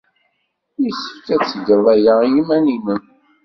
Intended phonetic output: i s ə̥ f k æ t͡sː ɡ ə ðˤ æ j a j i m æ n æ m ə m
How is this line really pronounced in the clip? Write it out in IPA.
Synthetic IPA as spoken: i s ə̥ f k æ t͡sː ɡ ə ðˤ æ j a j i m æ n i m ə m